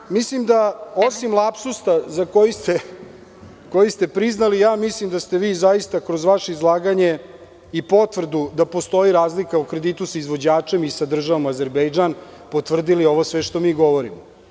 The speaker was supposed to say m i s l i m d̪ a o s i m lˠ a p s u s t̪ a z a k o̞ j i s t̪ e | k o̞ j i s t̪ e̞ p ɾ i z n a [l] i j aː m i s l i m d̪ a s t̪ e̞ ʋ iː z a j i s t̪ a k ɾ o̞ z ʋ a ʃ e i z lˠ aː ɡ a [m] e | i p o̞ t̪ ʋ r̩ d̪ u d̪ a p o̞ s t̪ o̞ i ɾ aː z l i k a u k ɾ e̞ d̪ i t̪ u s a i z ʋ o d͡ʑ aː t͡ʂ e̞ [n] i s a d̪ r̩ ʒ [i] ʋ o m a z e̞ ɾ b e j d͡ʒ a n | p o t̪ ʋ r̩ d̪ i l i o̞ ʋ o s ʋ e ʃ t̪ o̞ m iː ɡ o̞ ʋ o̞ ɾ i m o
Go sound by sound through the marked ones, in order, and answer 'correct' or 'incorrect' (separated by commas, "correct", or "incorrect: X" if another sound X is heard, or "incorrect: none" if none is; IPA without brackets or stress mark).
correct, incorrect: ɲ, incorrect: m, incorrect: a